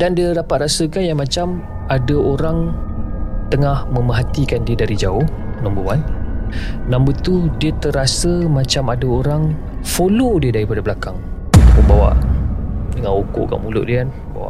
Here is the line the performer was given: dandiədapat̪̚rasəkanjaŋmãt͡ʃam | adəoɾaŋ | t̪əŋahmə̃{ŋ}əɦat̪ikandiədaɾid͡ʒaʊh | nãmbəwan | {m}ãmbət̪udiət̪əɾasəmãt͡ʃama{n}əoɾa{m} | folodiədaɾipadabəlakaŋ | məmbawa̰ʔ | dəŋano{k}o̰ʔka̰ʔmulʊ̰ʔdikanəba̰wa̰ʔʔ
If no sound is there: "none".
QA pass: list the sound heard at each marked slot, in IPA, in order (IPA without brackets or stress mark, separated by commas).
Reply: m, n, d, ŋ, k